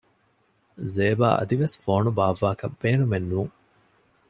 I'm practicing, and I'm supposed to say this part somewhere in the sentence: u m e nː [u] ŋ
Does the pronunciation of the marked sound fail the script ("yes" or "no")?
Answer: yes